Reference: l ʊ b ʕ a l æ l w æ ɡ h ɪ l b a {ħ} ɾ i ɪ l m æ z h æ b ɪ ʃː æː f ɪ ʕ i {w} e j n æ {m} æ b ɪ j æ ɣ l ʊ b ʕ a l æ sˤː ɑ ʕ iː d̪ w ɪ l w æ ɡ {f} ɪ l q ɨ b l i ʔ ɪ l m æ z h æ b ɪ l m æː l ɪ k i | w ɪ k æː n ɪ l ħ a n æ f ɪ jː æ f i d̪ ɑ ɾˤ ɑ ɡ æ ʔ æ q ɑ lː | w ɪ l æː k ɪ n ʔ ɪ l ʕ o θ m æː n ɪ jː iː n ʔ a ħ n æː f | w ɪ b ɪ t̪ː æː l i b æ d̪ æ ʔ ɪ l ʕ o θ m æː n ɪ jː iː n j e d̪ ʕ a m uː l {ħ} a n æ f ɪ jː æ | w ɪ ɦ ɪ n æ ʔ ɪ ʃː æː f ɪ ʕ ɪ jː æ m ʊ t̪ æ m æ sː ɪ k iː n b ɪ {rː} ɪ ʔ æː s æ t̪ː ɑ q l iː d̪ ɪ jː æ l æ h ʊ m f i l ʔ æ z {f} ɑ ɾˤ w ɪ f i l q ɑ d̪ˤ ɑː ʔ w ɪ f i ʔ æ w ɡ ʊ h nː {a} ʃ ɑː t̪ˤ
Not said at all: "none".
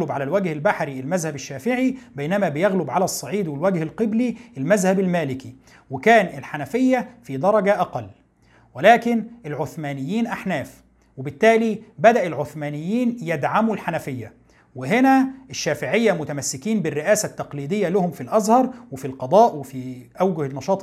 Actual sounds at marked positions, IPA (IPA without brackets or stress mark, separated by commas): ħ, b, m, h, ħ, rː, h, ɑ